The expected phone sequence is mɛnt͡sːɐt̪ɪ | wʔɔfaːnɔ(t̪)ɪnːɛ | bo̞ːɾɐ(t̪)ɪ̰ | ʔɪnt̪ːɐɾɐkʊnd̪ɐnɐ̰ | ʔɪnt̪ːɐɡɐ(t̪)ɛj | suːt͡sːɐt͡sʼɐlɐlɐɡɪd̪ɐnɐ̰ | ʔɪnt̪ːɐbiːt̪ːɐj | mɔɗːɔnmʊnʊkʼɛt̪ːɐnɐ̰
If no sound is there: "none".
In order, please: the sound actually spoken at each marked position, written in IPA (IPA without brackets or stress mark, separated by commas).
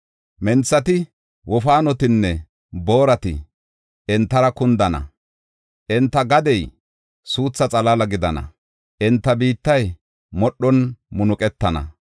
t̪, t̪, d̪